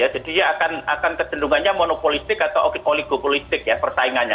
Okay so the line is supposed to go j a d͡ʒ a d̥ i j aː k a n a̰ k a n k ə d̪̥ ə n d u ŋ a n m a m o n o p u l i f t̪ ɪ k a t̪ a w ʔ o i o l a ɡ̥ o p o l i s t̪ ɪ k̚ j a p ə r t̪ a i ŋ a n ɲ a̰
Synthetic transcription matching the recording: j a d͡ʒ a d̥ i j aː k a n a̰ k a n k ə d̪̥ ə n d u ŋ a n ɲ a m o n o p o l i s t̪ ɪ k a t̪ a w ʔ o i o l i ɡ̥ o p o l i s t̪ ɪ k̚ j a p ə r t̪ a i ŋ a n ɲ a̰